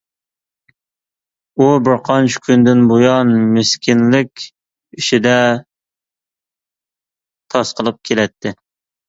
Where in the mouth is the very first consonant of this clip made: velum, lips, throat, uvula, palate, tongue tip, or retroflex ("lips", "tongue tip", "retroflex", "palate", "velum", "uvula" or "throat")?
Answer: lips